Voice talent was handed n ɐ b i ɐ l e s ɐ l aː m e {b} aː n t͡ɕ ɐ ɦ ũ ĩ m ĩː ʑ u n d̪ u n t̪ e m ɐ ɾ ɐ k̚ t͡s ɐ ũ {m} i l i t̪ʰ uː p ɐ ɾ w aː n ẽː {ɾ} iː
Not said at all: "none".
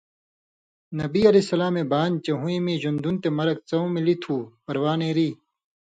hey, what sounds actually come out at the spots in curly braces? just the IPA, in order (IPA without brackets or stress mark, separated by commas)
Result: b, m, ɾ